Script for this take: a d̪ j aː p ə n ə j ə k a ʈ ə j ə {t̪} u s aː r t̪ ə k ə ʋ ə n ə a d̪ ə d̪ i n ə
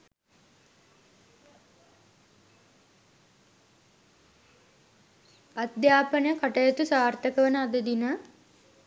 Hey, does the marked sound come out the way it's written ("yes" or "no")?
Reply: yes